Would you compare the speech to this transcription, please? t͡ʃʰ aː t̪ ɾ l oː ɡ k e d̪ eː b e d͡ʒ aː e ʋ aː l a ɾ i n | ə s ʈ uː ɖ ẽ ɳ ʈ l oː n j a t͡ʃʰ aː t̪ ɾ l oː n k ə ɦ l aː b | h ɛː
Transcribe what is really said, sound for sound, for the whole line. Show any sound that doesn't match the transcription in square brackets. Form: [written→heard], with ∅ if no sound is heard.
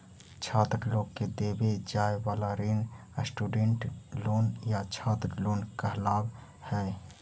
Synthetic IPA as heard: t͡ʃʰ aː t̪ ɾ l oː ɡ k e d̪ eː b e d͡ʒ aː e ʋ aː l a ɾ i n | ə s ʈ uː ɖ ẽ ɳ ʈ l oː n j a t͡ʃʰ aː t̪ ɾ l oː n k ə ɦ l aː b | h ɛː

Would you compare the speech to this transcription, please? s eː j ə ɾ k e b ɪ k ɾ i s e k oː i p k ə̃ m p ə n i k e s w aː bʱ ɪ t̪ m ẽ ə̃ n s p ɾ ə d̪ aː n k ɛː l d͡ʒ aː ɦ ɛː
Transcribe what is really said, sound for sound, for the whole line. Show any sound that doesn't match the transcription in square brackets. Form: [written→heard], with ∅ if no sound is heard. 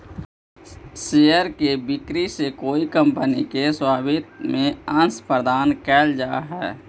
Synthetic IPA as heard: s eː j ə ɾ k e b ɪ k ɾ i s e k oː i [p→∅] k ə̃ m p ə n i k e s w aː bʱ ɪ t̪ m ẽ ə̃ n s p ɾ ə d̪ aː n k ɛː l d͡ʒ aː ɦ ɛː

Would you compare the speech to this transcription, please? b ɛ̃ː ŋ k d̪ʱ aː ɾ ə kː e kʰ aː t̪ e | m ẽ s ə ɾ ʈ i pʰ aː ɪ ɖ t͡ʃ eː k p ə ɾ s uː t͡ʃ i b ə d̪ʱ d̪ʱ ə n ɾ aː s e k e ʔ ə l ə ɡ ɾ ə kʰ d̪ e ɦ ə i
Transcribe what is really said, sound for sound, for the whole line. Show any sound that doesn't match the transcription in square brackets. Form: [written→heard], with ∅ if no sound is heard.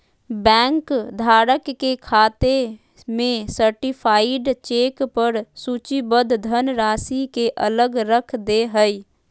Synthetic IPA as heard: b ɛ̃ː ŋ k d̪ʱ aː ɾ ə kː e kʰ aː t̪ e | m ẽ s ə ɾ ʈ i pʰ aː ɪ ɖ t͡ʃ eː k p ə ɾ s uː t͡ʃ i b ə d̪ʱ d̪ʱ ə n ɾ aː s [e→i] k e ʔ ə l ə ɡ ɾ ə kʰ d̪ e ɦ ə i

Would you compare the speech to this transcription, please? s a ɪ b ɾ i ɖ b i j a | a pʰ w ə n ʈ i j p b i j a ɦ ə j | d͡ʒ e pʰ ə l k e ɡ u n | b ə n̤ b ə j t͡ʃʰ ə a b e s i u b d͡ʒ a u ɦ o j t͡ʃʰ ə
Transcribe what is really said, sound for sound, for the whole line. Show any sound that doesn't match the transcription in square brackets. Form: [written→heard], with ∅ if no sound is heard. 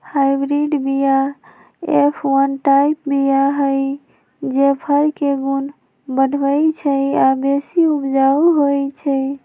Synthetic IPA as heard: [s→h] a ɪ b ɾ i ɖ b i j a | [a→e] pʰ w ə n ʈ [i→a] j p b i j a ɦ ə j | d͡ʒ e pʰ ə [l→ɾ] k e ɡ u n | b ə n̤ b ə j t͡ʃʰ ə a b e s i u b d͡ʒ a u ɦ o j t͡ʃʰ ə

